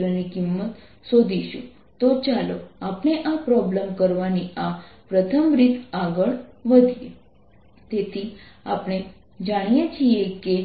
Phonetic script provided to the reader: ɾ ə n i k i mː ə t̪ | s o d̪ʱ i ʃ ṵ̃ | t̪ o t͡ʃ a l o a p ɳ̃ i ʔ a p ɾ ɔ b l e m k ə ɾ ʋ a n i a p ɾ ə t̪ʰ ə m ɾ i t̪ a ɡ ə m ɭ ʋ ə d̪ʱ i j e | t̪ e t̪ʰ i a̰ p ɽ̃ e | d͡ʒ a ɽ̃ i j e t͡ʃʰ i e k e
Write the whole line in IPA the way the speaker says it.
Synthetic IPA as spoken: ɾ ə n i k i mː ə t̪ | s o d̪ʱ i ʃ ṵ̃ | t̪ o t͡ʃ a l o a p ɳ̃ e ʔ a p ɾ ɔ b l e m k ə ɾ ʋ a n i a p ɾ ə t̪ʰ ə m ɾ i t̪ a ɡ ə ɭ ʋ ə d̪ʱ i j e | t̪ e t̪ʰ i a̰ p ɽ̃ e | d͡ʒ a ɽ̃ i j e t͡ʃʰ i e k e